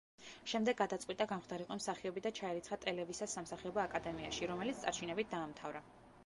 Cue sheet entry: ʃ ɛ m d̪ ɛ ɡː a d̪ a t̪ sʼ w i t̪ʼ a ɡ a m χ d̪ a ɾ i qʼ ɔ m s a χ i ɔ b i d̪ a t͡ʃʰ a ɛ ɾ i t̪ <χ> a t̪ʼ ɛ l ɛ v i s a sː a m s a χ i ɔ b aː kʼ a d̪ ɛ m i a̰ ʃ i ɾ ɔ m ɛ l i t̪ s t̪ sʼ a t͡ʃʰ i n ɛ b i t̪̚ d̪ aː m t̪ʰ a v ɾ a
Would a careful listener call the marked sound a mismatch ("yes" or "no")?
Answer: no